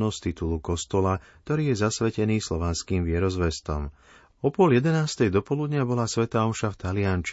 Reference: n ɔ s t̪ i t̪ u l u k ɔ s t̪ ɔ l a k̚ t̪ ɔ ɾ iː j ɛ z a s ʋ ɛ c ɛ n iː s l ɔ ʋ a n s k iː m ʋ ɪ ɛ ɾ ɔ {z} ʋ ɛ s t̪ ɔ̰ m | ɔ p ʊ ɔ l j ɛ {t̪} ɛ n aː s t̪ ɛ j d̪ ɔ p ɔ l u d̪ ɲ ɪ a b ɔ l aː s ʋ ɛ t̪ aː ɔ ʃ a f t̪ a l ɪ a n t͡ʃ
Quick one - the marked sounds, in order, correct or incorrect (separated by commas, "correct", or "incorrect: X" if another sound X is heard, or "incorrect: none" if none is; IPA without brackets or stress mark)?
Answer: correct, incorrect: d̪